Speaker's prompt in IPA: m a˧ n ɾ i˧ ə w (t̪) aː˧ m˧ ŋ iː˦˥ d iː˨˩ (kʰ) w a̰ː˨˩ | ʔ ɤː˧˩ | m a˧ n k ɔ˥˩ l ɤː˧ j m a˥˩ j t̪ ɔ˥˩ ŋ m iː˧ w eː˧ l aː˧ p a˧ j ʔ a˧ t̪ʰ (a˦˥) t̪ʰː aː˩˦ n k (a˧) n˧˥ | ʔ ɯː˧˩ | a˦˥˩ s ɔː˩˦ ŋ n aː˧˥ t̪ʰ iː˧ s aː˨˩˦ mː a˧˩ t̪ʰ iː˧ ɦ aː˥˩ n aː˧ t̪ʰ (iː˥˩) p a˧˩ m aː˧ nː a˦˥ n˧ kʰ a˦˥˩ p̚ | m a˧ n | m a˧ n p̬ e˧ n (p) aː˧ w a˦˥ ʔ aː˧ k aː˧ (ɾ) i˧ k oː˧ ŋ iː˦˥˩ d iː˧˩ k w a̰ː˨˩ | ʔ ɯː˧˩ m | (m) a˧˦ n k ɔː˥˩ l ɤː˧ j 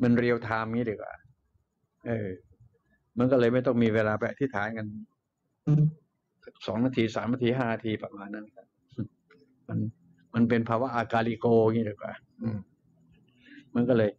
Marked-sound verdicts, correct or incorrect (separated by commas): incorrect, incorrect, incorrect, correct, incorrect, incorrect, incorrect, correct